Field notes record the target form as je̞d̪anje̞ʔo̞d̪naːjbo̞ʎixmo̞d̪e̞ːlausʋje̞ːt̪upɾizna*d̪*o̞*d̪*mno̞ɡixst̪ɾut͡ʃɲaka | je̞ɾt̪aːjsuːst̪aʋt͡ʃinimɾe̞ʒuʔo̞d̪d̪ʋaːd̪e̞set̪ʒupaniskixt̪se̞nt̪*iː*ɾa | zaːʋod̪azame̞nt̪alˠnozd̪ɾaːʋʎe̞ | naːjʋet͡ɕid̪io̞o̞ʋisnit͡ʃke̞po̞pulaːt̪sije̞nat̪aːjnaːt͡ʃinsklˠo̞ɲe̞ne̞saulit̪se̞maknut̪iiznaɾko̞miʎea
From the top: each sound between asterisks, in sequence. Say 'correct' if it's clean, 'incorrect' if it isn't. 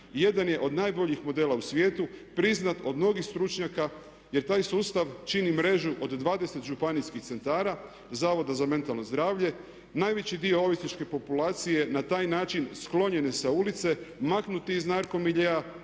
incorrect, correct, incorrect

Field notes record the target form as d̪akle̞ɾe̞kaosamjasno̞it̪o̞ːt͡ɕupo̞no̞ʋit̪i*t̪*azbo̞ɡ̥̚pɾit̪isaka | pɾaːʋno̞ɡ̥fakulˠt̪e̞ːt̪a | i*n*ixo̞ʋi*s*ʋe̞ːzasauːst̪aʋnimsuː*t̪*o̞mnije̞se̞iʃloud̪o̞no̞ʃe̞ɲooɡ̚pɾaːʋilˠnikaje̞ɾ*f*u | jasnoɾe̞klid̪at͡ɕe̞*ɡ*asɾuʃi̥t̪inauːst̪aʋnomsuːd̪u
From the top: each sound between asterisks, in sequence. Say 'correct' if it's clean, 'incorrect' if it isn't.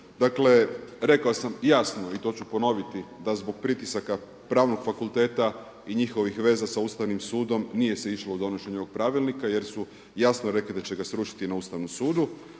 incorrect, incorrect, incorrect, incorrect, incorrect, correct

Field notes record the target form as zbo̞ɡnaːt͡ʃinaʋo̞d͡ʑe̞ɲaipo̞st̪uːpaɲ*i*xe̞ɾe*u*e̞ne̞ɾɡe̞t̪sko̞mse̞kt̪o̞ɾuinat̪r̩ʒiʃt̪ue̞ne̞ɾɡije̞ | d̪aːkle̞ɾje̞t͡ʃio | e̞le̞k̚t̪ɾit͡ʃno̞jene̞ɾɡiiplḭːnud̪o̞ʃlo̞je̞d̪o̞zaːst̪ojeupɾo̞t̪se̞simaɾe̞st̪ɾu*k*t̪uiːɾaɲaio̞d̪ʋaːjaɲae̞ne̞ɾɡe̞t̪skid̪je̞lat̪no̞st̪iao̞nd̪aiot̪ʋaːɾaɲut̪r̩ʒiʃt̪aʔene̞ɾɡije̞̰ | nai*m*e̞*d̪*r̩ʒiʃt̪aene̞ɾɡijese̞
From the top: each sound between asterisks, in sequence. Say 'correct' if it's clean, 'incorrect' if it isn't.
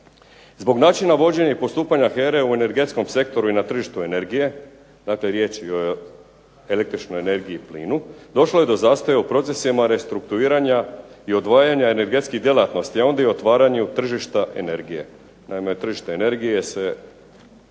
incorrect, correct, correct, correct, incorrect

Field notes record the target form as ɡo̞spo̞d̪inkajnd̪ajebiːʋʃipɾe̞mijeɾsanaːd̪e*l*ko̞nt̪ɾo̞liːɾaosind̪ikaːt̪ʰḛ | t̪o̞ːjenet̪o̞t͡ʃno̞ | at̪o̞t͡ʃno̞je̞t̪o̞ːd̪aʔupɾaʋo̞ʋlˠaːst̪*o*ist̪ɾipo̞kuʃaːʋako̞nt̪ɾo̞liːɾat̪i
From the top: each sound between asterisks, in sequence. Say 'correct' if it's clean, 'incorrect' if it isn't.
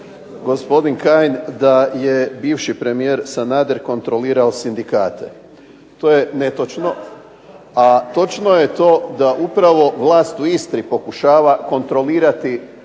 incorrect, incorrect

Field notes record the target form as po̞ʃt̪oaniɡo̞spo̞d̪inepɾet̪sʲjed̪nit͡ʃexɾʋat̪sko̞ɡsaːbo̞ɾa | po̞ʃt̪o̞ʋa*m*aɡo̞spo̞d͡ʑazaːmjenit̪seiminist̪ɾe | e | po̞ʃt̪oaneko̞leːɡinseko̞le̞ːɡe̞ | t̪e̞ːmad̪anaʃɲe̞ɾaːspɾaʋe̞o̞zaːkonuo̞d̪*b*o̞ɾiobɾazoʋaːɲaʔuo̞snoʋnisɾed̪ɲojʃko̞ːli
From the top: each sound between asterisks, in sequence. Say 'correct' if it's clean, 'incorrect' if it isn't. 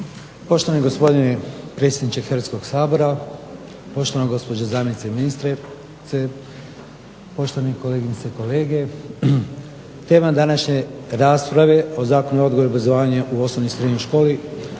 incorrect, incorrect

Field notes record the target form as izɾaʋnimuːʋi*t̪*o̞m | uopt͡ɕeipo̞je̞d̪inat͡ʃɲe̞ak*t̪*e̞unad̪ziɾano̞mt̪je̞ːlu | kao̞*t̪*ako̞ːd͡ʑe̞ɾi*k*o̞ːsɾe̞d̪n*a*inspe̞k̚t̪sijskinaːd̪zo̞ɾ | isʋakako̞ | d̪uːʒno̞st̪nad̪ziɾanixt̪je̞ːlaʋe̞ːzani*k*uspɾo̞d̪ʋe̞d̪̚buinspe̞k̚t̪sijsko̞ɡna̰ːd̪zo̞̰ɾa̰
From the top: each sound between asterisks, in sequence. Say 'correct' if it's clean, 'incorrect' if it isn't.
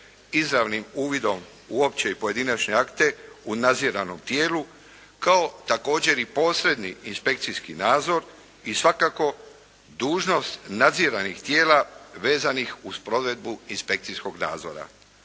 incorrect, correct, correct, incorrect, incorrect, incorrect

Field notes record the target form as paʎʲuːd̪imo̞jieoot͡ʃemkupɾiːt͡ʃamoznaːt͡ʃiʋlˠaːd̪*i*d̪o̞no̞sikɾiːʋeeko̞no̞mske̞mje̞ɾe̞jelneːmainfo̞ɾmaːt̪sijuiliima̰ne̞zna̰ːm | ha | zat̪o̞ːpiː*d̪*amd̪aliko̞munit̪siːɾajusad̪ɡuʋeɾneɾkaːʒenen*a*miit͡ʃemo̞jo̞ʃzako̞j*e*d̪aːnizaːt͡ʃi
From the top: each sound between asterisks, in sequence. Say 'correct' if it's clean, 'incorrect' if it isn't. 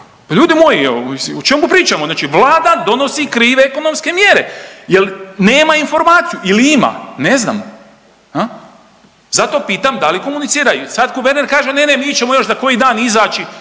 incorrect, incorrect, incorrect, incorrect

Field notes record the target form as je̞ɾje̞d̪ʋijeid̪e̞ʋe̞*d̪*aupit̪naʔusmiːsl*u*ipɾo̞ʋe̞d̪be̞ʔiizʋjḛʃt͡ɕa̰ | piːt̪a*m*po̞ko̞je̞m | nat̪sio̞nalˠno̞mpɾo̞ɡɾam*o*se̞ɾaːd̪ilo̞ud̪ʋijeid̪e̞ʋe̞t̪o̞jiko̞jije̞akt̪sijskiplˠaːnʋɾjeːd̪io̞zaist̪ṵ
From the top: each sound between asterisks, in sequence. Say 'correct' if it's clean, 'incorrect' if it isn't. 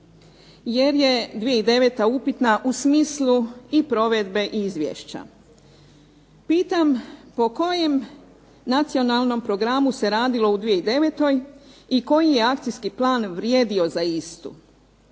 incorrect, correct, correct, incorrect

